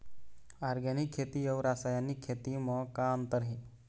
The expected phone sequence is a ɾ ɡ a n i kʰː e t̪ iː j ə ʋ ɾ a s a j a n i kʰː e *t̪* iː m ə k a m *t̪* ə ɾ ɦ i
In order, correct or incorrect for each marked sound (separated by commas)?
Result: correct, correct